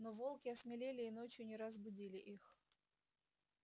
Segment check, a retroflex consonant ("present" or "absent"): absent